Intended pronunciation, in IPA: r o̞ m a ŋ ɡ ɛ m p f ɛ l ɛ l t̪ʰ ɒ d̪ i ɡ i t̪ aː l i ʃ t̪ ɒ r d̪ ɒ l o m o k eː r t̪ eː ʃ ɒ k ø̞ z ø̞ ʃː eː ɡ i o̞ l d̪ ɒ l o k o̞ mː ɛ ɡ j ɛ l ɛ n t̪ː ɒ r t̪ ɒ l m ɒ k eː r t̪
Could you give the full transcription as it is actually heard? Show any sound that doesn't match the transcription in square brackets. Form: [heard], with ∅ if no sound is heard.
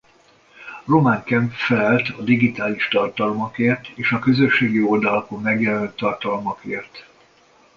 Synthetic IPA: r o̞ m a ŋ [k] ɛ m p f ɛ l ɛ l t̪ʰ ɒ d̪ i ɡ i t̪ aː l i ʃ t̪ ɒ r [t̪] ɒ l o m [ɒ] k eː r t̪ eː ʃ ɒ k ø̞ z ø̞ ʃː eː ɡ i o̞ l d̪ ɒ l [ɒ] k o̞ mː ɛ ɡ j ɛ l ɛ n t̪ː ɒ r t̪ ɒ l m ɒ k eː r t̪